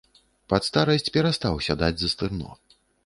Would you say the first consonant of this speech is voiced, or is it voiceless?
voiceless